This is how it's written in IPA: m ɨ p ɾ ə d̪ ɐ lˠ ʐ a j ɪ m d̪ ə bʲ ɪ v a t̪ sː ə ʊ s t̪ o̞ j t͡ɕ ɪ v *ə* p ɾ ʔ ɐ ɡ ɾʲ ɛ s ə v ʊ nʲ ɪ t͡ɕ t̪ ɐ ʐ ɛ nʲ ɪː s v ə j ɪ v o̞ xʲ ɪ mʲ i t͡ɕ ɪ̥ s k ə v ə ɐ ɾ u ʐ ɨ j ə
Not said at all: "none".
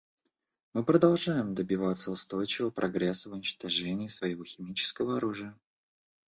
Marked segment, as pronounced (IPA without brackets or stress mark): ə